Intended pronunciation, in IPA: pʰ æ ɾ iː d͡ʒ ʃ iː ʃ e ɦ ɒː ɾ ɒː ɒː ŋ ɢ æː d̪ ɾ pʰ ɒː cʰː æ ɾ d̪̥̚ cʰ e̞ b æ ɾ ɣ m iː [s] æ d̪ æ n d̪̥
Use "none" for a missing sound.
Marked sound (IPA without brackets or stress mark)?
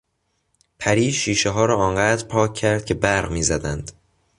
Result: z